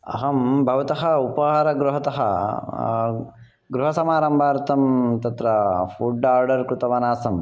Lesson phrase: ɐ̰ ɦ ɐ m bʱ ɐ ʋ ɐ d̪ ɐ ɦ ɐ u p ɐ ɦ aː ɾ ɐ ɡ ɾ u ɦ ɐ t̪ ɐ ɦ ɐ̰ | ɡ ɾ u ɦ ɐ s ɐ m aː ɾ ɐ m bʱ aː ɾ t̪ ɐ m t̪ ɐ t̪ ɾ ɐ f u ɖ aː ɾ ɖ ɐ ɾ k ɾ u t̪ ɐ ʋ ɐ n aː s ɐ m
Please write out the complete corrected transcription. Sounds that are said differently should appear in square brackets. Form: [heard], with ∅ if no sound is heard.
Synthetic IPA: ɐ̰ ɦ ɐ m bʱ ɐ ʋ ɐ [t̪] ɐ ɦ ɐ u p ɐ ɦ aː ɾ ɐ ɡ ɾ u ɦ ɐ t̪ ɐ ɦ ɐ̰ | ɡ ɾ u ɦ ɐ s ɐ m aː ɾ ɐ m bʱ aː ɾ t̪ ɐ m t̪ ɐ t̪ ɾ ɐ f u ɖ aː ɾ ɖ ɐ ɾ k ɾ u t̪ ɐ ʋ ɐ n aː s ɐ m